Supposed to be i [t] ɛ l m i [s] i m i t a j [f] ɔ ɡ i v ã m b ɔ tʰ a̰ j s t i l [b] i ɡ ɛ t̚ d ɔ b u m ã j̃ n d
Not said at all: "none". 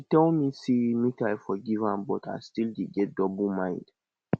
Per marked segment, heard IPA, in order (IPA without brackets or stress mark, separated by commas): t, s, f, d